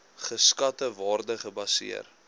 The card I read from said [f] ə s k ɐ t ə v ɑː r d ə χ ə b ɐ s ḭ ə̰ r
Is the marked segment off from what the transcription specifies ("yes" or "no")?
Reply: yes